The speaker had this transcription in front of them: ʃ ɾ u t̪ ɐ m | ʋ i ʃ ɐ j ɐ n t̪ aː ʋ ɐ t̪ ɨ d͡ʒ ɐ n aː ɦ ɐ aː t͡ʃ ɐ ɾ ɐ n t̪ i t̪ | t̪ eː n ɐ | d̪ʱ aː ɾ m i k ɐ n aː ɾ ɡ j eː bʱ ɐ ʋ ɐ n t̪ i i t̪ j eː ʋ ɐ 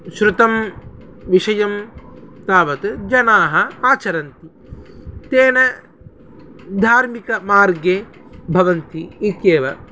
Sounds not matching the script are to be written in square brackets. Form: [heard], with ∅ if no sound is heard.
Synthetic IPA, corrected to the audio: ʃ ɾ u t̪ ɐ m | ʋ i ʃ ɐ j ɐ [m] t̪ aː ʋ ɐ t̪ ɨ d͡ʒ ɐ n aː ɦ ɐ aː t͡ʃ ɐ ɾ ɐ n t̪ i [∅] | t̪ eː n ɐ | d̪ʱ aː ɾ m i k ɐ [m] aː ɾ ɡ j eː bʱ ɐ ʋ ɐ n t̪ i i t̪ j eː ʋ ɐ